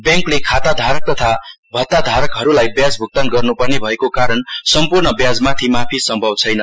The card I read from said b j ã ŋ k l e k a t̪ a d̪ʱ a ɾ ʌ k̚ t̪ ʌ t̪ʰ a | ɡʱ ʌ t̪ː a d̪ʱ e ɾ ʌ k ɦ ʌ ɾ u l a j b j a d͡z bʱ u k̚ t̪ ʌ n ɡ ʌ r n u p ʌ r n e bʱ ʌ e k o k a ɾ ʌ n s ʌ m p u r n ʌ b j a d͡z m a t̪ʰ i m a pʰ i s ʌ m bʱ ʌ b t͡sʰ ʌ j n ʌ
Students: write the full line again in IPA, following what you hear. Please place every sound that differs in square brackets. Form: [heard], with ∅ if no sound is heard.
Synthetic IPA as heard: b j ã ŋ k l e [kʰ] a t̪ a d̪ʱ a ɾ ʌ k̚ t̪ ʌ t̪ʰ a | [bʱ] ʌ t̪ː a d̪ʱ [a] ɾ ʌ k ɦ ʌ ɾ u l a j b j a d͡z bʱ u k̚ t̪ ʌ n ɡ ʌ r n u p ʌ r n e bʱ ʌ e k o k a ɾ ʌ n s ʌ m p u r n ʌ b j a d͡z m a t̪ʰ i m a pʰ i s ʌ m bʱ ʌ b t͡sʰ ʌ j n ʌ

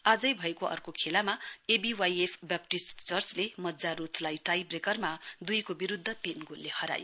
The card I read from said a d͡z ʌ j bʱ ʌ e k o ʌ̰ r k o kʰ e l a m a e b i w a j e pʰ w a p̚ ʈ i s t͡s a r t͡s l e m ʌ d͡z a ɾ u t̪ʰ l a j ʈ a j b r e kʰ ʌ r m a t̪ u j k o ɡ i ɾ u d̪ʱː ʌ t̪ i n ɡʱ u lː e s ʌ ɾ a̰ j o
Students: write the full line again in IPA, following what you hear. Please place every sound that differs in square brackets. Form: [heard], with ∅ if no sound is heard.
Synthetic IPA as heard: a d͡z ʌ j bʱ ʌ e k o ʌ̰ r k o kʰ e l a m a e b i w a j e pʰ [b] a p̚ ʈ i s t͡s [ʌ] r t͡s l e m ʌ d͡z a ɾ u t̪ʰ l a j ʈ a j b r e [k] ʌ r m a [d̪] u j k o [b] i ɾ u d̪ʱː ʌ t̪ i n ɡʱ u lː e [h] ʌ ɾ a̰ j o

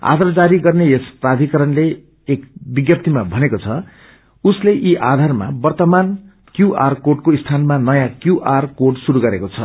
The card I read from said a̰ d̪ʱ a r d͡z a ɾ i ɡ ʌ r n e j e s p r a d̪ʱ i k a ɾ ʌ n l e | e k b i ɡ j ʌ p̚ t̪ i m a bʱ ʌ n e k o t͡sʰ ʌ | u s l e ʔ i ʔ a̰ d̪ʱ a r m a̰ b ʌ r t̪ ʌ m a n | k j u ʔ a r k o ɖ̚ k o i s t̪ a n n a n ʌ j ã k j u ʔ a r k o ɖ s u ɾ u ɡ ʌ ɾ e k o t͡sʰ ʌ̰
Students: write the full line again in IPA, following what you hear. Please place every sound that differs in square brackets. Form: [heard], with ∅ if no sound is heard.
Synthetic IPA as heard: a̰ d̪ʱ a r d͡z a ɾ i ɡ ʌ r n e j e s p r a d̪ʱ i k [ʌ] ɾ ʌ n l e | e k b i ɡ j ʌ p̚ t̪ i m a bʱ ʌ n e k o t͡sʰ ʌ | u s l e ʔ i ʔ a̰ d̪ʱ a r m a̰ b ʌ r t̪ ʌ m a n | k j u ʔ a r k o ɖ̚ k o i s [t̪ʰ] a n [m] a n ʌ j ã k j u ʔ a r k o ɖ s u ɾ u ɡ ʌ ɾ e k o t͡sʰ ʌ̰

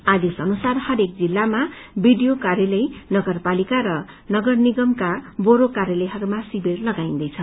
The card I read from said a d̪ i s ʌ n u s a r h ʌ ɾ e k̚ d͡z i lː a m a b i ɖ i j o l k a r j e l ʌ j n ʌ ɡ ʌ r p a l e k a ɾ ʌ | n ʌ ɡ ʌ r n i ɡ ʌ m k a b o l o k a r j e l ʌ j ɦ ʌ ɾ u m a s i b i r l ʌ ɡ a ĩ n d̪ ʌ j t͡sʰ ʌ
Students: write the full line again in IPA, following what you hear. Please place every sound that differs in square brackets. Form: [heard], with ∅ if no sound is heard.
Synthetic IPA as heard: a d̪ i s ʌ n u s a r h ʌ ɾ e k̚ d͡z i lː a m a b i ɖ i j o [∅] k a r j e l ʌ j n ʌ ɡ ʌ r p a l [i] k a ɾ ʌ | n ʌ ɡ ʌ r n i ɡ ʌ m k a b o [ɾ] o k a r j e l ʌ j ɦ ʌ ɾ u m a s i b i r l ʌ ɡ a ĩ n d̪ ʌ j t͡sʰ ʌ

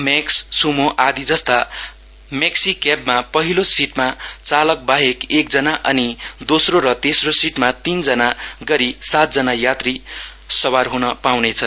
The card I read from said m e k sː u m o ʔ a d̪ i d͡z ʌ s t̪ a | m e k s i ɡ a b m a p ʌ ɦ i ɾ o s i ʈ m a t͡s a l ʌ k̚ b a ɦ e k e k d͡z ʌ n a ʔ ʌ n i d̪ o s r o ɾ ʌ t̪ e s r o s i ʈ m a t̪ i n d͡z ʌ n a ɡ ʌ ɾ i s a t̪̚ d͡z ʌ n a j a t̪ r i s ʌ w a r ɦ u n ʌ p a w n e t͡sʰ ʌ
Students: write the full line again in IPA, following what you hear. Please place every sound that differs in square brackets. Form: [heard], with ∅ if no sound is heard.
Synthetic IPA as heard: m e k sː u m o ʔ a d̪ i d͡z ʌ s t̪ a | m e k s i [k] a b m a p ʌ ɦ i [l] o s i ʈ m a t͡s a l ʌ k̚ b a ɦ e k e k d͡z ʌ n a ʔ ʌ n i d̪ o s r o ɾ ʌ t̪ e s r o s i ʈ m a t̪ i n d͡z ʌ n a ɡ ʌ ɾ i s a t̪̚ d͡z ʌ n a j a t̪ r i s ʌ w a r ɦ u n ʌ p a w n e t͡sʰ ʌ

